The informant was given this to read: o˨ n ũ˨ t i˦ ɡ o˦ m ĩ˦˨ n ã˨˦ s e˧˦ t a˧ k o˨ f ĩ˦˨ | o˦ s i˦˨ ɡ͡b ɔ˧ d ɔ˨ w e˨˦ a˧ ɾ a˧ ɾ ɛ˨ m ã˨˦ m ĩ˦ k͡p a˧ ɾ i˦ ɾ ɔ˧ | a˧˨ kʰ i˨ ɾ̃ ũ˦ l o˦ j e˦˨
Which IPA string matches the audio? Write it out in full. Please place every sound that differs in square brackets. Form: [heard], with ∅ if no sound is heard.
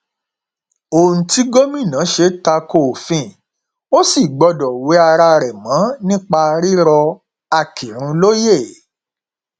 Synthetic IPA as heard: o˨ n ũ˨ t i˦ ɡ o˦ m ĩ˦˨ n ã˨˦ [ʃ] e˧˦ t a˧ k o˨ f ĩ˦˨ | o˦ s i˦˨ ɡ͡b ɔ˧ d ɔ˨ w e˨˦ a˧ ɾ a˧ ɾ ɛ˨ m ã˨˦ [n] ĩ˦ k͡p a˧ ɾ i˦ ɾ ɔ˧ | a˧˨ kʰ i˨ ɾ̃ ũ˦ l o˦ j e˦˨